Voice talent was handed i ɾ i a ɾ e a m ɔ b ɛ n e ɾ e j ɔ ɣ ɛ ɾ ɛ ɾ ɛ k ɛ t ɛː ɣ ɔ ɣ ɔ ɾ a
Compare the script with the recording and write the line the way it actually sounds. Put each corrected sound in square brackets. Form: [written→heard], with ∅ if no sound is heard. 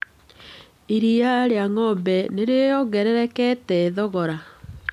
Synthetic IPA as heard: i ɾ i a ɾ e a [m→ŋ] ɔ b ɛ n e ɾ e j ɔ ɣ ɛ ɾ ɛ ɾ ɛ k ɛ t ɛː [ɣ→ð] ɔ ɣ ɔ ɾ a